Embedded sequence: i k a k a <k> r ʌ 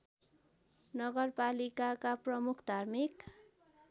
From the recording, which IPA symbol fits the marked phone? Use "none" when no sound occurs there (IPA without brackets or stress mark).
p